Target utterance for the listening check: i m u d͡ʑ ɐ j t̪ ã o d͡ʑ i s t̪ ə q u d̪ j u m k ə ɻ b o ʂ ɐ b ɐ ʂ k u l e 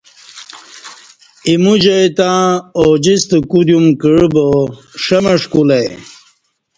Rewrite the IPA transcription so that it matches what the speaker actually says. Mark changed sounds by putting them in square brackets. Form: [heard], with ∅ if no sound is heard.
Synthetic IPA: i m u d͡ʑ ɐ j t̪ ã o d͡ʑ i s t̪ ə [k] u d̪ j u m k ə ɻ b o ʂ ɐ [m] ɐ ʂ k u l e